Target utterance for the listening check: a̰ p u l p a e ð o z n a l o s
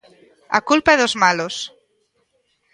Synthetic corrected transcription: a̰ k u l p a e ð o z m a l o s